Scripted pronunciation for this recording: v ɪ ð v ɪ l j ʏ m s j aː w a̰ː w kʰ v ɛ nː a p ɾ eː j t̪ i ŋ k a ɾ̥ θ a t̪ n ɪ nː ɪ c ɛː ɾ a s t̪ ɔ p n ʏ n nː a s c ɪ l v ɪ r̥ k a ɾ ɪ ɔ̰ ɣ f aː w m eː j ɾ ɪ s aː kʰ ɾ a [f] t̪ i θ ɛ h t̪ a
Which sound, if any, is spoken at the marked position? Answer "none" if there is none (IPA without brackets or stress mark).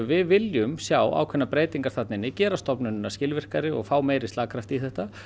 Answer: f